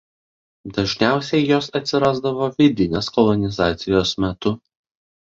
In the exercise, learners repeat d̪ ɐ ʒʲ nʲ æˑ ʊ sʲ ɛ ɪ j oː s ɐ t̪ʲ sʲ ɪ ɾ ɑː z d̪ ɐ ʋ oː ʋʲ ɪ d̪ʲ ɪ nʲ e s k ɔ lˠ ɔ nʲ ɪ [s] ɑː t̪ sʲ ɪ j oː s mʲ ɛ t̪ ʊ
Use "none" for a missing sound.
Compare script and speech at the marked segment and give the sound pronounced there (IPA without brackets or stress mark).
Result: z